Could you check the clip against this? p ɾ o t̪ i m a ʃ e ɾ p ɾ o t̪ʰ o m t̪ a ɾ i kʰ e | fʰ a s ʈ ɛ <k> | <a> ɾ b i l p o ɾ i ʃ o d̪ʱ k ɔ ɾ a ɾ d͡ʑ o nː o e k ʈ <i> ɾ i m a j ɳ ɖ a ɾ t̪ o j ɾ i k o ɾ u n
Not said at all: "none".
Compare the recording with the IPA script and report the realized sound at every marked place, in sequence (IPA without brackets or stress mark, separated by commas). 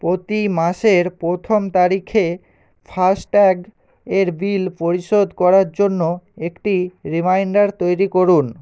ɡ, e, i